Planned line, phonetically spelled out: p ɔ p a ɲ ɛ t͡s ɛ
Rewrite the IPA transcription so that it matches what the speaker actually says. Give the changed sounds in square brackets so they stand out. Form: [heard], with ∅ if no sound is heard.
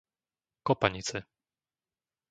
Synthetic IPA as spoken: [k] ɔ p a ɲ [i] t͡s ɛ